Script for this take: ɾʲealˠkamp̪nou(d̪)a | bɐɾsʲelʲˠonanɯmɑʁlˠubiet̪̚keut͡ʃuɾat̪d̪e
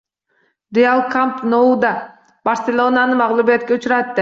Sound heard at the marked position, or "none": d̪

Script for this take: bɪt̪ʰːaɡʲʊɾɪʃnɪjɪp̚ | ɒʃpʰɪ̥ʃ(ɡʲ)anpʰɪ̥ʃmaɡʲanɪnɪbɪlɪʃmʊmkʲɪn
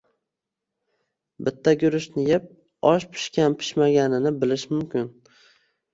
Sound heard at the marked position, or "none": kʲ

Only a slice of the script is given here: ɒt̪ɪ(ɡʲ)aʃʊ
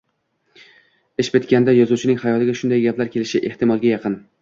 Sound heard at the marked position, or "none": ɡʲ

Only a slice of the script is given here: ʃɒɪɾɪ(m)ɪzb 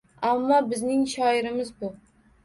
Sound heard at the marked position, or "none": m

